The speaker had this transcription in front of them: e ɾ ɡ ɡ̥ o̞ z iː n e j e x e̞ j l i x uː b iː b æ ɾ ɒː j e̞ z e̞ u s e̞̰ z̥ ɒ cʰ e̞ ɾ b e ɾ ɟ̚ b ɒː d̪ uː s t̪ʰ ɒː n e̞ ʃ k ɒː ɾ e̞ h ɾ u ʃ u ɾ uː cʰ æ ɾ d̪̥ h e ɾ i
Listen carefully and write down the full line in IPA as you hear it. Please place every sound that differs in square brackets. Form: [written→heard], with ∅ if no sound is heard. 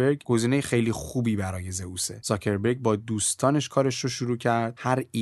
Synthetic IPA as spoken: e ɾ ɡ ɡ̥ o̞ z iː n e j e x e̞ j l i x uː b iː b æ ɾ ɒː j e̞ z e̞ u s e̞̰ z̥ ɒ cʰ e̞ ɾ b e ɾ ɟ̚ b ɒː d̪ uː s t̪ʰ ɒː n e̞ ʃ [k→kʰ] ɒː ɾ e̞ [h→ʃ] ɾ [u→o] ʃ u ɾ uː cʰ æ ɾ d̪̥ h [e→æ] ɾ i